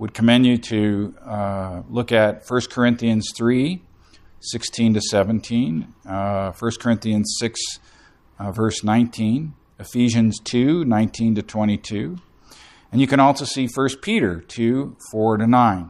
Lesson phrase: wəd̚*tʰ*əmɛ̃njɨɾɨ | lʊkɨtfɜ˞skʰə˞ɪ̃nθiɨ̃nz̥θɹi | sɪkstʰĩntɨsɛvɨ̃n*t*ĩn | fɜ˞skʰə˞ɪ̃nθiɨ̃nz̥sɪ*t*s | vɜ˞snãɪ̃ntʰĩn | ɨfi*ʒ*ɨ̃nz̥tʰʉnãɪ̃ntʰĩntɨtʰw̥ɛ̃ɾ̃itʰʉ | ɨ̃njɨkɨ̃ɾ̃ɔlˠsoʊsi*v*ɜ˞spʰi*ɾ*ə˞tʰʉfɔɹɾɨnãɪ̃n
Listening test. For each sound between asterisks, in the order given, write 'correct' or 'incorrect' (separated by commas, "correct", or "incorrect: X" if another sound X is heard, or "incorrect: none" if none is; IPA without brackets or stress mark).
incorrect: kʰ, incorrect: tʰ, incorrect: k, correct, incorrect: f, correct